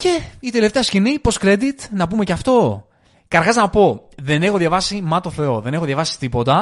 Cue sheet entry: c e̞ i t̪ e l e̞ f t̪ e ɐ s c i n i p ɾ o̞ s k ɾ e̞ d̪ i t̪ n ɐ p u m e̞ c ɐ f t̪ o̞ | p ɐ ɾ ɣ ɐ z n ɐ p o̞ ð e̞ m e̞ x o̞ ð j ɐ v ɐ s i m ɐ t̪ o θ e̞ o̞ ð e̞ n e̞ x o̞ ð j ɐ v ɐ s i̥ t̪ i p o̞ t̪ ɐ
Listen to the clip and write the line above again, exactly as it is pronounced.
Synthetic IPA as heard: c e̞ i t̪ e l e̞ f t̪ e ɐ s c i n i p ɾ o̞ s k ɾ e̞ d̪ i t̪ n ɐ p u m e̞ c ɐ f t̪ o̞ | k ɐ ɾ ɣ ɐ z n ɐ p o̞ ð e̞ n e̞ x o̞ ð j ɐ v ɐ s i m ɐ t̪ o θ e̞ o̞ ð e̞ n e̞ x o̞ ð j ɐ v ɐ s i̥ t̪ i p o̞ t̪ ɐ